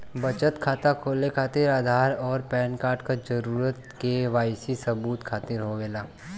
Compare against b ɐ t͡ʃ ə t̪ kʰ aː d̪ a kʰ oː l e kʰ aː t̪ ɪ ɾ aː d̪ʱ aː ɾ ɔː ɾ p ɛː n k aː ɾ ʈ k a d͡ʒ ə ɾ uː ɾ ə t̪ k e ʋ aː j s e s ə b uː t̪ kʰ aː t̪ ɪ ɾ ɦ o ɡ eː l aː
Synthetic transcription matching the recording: b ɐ t͡ʃ ə t̪ kʰ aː t̪ a kʰ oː l e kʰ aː t̪ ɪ ɾ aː d̪ʱ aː ɾ ɔː ɾ p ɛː n k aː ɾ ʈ k a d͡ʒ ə ɾ uː ɾ ə t̪ k e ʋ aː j s i s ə b uː t̪ kʰ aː t̪ ɪ ɾ ɦ o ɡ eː l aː